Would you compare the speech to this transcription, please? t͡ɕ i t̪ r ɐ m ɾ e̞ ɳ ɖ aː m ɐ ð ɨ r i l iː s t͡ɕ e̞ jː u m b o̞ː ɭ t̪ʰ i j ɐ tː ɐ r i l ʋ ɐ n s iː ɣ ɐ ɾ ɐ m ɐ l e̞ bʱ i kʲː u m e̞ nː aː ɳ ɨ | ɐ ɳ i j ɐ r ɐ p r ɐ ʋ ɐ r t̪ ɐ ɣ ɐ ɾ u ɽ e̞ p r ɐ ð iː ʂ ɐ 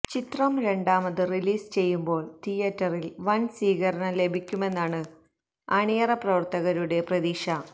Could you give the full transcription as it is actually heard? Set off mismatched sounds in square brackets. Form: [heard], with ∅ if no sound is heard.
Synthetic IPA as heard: t͡ɕ i t̪ r ɐ m ɾ e̞ ɳ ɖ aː m ɐ ð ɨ r i l iː s t͡ɕ e̞ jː u m b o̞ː ɭ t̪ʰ i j ɐ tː ɐ r i l ʋ ɐ n s iː ɣ ɐ ɾ ɐ [ɳ] ɐ l e̞ bʱ i kʲː u m e̞ nː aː ɳ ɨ | ɐ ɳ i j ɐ r ɐ p r ɐ ʋ ɐ r t̪ ɐ ɣ ɐ ɾ u ɽ e̞ p r ɐ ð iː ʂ ɐ